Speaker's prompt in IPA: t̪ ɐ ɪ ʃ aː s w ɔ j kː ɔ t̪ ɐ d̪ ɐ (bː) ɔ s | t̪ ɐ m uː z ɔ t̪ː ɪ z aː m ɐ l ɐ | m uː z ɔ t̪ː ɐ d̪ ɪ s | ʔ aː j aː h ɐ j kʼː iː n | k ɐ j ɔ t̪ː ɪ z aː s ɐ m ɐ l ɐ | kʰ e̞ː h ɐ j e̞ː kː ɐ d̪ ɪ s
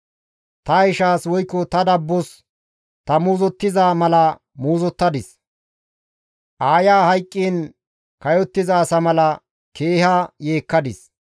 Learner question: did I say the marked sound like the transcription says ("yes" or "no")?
yes